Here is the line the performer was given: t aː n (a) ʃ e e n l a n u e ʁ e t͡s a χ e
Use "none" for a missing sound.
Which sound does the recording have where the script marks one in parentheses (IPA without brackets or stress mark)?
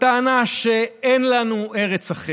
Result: a